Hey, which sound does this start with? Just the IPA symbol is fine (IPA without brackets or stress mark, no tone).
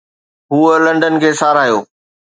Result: ɦ